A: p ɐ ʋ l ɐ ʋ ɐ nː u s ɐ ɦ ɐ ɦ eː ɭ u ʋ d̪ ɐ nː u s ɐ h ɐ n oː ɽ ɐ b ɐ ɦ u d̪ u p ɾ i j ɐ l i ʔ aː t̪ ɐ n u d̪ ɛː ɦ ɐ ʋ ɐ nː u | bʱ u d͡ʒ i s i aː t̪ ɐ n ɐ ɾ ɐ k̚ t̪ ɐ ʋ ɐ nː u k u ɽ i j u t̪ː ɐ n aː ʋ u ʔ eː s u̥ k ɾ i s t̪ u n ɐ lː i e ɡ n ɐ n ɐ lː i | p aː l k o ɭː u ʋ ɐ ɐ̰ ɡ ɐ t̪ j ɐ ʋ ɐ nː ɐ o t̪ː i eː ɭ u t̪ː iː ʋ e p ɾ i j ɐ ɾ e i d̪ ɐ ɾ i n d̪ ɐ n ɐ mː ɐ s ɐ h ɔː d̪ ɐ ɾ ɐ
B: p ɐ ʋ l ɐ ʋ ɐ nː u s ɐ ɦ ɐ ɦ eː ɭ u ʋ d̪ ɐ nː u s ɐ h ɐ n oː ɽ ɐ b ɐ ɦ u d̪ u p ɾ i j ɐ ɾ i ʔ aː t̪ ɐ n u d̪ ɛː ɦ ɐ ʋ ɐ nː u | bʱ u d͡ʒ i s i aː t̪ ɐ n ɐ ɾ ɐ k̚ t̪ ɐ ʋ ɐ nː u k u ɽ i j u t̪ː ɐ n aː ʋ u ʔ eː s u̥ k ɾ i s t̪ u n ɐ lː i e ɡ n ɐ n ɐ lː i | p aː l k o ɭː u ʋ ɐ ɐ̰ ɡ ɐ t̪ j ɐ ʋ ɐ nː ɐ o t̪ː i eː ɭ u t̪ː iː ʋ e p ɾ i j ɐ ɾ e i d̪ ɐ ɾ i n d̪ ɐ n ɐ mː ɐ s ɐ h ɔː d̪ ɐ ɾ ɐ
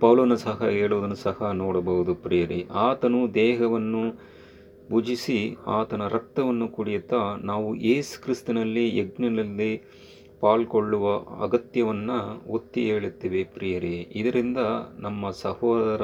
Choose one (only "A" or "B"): B